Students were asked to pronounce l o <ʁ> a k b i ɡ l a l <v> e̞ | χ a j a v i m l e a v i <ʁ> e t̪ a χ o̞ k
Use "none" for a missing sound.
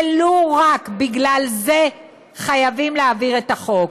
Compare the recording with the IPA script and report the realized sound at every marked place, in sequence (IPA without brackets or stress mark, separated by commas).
ʁ, z, ʁ